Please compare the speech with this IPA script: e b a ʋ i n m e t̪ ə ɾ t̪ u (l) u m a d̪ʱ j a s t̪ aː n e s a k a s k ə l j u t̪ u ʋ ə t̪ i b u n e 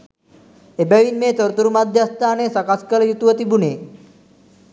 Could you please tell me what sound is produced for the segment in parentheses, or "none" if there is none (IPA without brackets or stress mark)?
ɾ